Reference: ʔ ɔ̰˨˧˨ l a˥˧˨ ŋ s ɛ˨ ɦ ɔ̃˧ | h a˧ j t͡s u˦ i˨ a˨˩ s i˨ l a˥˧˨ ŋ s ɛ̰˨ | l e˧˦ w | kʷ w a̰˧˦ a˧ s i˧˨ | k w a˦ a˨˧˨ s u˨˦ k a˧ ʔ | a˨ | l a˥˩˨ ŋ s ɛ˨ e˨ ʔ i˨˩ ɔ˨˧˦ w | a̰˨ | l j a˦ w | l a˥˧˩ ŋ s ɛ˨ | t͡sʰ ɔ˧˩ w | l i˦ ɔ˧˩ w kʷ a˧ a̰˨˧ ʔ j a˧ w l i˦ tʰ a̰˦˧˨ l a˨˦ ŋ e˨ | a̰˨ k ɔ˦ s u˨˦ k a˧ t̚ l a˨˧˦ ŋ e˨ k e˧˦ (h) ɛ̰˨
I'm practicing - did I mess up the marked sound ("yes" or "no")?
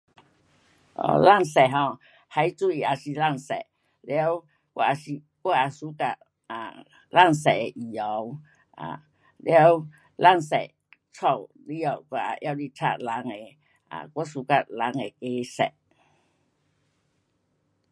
yes